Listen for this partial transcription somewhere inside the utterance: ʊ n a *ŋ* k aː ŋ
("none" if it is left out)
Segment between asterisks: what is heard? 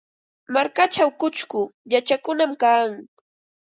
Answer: m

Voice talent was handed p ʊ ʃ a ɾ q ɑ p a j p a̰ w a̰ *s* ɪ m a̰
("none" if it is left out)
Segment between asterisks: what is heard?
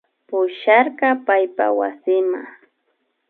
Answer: s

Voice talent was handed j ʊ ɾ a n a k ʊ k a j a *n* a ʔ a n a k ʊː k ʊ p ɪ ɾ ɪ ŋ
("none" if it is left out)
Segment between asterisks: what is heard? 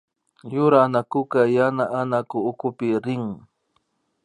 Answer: n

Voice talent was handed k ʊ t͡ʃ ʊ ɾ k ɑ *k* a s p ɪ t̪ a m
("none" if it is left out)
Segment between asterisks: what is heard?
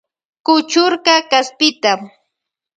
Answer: k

